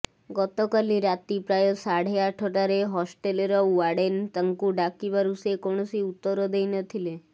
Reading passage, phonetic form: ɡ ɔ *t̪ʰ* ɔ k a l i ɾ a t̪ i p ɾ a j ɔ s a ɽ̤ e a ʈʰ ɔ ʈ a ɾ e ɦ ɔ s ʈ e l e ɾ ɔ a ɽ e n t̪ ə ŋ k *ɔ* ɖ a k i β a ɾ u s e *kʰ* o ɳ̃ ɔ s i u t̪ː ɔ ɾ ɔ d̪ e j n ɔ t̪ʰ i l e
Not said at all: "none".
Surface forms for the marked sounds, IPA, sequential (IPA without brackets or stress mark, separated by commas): t̪, u, k